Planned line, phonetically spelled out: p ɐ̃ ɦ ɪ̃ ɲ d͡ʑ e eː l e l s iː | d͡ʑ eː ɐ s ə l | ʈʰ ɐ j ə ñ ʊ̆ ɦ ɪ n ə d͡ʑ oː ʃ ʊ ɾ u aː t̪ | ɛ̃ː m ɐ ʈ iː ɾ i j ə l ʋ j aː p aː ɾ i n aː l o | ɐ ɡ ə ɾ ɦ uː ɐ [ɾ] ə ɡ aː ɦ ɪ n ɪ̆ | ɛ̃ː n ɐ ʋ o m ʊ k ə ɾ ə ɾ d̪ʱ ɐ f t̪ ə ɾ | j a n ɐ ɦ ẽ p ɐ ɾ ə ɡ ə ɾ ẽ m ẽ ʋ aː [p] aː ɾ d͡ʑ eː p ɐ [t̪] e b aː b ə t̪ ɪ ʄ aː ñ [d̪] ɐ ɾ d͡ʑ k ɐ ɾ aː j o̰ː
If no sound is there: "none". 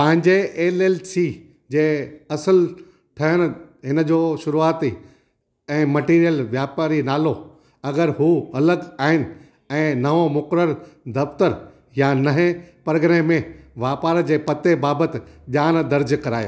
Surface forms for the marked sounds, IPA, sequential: l, p, t̪, d̪

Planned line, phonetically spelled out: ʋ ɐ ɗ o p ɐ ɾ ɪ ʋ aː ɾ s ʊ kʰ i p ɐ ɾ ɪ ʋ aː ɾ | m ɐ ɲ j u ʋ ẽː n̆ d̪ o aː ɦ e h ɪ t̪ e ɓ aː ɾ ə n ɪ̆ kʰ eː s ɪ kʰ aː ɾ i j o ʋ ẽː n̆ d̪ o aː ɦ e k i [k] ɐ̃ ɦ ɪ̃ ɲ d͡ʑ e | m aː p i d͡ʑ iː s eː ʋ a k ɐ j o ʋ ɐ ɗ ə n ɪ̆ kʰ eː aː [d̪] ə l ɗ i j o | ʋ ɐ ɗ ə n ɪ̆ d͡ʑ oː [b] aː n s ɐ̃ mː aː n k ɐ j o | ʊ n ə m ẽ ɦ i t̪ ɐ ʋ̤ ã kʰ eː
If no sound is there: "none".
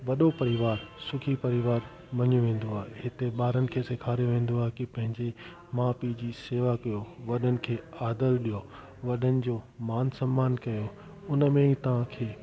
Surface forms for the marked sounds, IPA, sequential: p, d̪, m

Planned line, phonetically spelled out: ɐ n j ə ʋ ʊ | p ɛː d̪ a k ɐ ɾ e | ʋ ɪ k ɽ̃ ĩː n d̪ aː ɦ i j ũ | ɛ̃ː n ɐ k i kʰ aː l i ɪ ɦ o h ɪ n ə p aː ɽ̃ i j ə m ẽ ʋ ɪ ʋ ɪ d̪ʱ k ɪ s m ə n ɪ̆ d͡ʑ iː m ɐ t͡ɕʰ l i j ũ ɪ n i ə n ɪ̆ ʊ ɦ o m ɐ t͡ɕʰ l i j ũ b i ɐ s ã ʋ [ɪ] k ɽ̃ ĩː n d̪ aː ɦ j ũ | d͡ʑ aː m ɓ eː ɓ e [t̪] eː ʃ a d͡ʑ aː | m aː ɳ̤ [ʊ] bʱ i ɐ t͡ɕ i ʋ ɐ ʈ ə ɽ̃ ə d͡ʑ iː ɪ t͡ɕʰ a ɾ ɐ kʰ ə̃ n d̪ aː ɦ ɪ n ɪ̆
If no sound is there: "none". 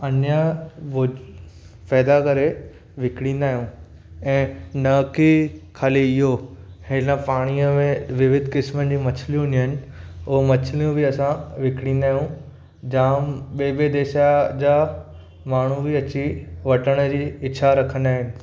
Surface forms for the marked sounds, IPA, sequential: ɪ, d̪, u

